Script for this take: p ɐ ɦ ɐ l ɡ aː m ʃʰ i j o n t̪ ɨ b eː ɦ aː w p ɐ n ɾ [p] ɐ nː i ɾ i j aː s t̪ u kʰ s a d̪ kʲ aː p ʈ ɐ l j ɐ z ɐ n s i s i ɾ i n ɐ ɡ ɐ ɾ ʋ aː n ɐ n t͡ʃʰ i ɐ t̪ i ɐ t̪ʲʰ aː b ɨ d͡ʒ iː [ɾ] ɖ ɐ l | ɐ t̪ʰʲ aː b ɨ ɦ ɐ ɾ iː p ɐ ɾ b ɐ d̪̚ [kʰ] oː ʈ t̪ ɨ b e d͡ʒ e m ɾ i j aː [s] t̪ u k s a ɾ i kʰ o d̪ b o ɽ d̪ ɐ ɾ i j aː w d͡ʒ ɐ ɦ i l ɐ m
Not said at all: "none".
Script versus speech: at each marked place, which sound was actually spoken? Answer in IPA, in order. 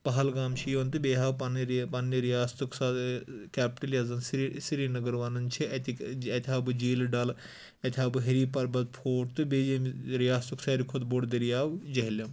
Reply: p, l, pʰ, s

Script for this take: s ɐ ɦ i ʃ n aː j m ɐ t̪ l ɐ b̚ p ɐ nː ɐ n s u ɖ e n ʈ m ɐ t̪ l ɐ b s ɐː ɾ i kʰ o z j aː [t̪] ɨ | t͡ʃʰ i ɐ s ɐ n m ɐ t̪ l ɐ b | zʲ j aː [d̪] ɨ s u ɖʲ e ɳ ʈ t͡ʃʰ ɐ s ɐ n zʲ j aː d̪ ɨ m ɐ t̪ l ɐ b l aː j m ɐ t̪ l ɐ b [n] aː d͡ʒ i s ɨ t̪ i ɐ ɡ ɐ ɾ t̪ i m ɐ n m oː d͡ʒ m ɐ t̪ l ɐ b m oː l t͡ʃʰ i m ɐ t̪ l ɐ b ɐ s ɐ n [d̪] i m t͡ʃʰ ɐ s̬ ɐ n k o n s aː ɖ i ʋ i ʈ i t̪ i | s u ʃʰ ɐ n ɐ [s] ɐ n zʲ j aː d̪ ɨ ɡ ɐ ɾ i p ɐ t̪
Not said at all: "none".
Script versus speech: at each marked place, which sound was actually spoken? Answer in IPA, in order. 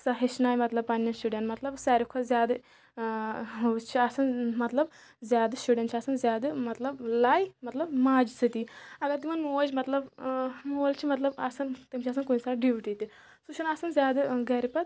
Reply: d̪, d̪, m, t̪, s

